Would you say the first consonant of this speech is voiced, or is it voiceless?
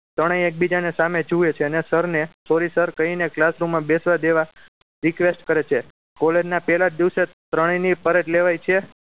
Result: voiceless